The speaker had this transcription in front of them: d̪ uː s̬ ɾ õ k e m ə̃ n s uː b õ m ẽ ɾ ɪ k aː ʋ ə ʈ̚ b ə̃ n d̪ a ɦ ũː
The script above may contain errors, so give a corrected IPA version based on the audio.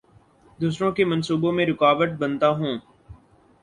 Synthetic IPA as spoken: d̪ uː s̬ ɾ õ k e m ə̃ n s uː b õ m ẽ ɾ ɪ k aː ʋ ə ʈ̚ b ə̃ n t̪ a ɦ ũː